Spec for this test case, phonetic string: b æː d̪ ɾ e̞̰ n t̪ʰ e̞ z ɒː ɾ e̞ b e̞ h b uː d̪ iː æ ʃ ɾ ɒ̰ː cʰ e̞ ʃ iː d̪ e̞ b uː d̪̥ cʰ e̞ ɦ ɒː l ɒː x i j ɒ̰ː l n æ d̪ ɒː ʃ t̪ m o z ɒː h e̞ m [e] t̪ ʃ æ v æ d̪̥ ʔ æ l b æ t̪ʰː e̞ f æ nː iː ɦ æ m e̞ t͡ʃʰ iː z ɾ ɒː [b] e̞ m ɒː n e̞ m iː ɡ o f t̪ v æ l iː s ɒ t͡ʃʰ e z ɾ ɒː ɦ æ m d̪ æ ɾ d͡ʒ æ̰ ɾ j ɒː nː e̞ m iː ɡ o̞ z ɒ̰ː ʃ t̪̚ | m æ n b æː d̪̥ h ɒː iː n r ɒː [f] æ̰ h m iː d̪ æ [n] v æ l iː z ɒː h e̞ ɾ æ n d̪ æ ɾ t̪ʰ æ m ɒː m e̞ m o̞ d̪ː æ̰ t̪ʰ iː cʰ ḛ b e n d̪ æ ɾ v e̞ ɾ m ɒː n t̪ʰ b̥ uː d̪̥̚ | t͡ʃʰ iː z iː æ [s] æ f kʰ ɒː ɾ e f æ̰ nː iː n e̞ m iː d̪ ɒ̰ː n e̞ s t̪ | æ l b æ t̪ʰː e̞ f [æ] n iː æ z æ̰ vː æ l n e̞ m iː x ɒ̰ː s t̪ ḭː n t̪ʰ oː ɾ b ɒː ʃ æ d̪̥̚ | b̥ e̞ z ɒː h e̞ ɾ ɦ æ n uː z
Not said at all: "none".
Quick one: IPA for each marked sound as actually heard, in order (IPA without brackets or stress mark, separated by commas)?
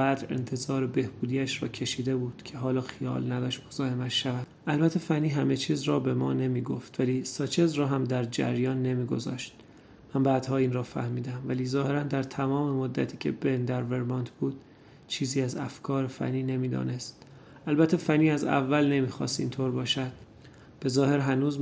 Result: æ, b, f, m, z, æ